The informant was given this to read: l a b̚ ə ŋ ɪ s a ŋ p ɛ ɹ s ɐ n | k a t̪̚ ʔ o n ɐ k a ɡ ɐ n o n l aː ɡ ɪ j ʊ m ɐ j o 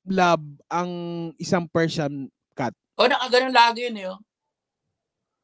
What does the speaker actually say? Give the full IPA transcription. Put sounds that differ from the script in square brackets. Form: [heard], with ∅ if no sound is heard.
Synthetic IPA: l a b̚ [ɐ] ŋ ɪ s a ŋ p ɛ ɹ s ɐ n | k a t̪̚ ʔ o n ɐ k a ɡ ɐ n o n l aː ɡ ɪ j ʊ [n] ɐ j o